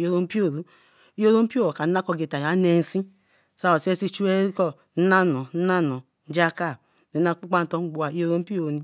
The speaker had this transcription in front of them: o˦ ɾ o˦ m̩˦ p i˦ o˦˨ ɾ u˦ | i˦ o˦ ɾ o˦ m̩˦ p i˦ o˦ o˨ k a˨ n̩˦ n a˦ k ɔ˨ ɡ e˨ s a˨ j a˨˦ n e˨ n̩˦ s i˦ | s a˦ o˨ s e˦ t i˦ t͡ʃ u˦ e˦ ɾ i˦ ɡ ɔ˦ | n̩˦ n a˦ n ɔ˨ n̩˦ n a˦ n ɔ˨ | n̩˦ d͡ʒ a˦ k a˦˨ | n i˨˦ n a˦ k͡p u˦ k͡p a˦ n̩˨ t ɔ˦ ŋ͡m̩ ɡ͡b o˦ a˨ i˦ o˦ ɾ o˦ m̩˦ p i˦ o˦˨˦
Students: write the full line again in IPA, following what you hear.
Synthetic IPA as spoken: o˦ ɾ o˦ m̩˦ p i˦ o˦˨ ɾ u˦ | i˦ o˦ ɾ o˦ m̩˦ p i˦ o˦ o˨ k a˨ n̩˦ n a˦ k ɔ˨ ɡ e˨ t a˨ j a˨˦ n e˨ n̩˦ s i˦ | s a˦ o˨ s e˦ s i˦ t͡ʃ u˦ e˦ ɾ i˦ k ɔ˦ | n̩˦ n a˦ n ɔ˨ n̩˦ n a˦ n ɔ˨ | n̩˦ d͡ʒ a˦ k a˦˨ | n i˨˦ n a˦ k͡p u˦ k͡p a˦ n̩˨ t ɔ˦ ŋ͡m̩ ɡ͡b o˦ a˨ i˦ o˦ ɾ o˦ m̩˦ p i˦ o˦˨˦